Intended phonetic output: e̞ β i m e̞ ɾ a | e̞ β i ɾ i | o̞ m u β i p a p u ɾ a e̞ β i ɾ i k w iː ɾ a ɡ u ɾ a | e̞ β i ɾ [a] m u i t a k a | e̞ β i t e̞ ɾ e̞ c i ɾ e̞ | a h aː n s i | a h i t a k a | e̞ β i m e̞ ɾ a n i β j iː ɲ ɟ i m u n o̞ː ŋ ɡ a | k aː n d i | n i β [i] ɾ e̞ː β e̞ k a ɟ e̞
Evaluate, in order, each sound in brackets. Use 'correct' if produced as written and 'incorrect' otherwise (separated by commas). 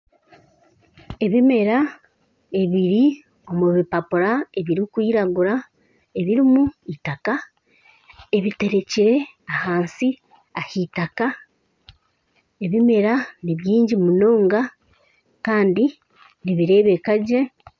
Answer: incorrect, correct